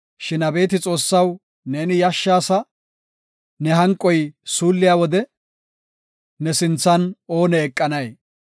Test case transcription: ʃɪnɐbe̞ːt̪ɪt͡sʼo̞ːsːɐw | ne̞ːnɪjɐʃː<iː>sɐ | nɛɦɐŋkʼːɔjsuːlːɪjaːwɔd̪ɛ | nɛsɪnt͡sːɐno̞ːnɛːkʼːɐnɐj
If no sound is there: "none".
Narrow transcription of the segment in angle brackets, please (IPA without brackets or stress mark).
aː